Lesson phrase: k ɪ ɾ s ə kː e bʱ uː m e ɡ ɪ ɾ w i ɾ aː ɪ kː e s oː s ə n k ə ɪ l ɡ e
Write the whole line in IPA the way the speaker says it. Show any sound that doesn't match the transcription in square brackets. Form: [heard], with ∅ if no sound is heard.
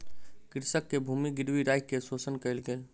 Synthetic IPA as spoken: k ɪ ɾ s ə kː e bʱ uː m [i] ɡ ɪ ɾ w i ɾ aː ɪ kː e s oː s ə n k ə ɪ l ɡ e